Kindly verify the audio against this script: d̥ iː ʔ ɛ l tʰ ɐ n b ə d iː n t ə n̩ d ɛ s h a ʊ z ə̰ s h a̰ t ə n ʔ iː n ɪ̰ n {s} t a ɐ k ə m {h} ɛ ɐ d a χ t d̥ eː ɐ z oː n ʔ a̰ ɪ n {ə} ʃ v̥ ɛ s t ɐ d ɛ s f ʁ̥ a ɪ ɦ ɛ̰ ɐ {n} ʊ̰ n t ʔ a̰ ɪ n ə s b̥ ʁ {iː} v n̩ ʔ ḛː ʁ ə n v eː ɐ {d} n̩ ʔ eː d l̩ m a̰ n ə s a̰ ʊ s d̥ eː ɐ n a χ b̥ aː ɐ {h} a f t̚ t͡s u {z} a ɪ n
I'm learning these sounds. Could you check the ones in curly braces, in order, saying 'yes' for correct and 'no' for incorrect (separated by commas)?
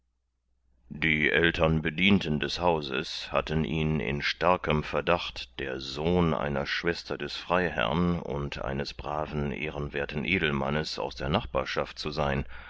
no, no, no, yes, no, no, no, yes